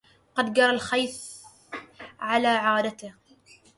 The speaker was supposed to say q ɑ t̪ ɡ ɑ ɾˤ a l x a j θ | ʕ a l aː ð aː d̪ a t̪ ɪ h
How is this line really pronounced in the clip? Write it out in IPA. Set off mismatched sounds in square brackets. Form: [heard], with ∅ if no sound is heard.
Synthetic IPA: q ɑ [d̪] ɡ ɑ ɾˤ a l x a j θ | ʕ a l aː [ʕ] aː d̪ a t̪ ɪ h